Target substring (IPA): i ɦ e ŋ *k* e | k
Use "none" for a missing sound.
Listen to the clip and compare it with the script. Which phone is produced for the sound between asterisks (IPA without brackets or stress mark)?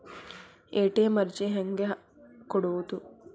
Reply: ɡ